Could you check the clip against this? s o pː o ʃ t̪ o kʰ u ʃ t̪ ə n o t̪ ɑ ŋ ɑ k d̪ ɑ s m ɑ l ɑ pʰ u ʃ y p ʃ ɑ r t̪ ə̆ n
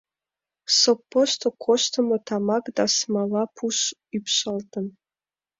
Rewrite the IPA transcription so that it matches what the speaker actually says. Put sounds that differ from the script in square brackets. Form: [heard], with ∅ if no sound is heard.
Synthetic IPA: s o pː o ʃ t̪ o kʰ [o] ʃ t̪ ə [m] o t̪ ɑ [m] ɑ k d̪ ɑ s m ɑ l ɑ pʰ u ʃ y p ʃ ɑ [l] t̪ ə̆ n